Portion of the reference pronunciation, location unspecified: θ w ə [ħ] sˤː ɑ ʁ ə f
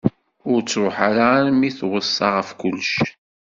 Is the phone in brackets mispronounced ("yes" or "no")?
yes